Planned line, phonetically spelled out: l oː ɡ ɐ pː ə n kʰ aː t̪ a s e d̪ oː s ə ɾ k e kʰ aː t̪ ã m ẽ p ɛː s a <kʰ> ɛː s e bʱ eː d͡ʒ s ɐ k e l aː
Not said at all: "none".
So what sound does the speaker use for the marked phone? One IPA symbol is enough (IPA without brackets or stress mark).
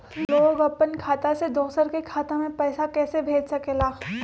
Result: k